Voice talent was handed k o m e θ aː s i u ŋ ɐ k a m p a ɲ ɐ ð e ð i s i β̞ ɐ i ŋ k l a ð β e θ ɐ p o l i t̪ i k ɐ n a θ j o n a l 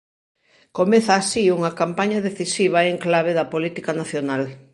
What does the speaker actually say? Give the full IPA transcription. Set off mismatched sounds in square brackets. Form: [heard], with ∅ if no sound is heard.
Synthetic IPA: k o m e θ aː s i u ŋ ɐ k a m p a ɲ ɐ ð e [θ] i s i β̞ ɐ [e] ŋ k l a [∅] β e [ð] ɐ p o l i t̪ i k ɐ n a θ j o n a l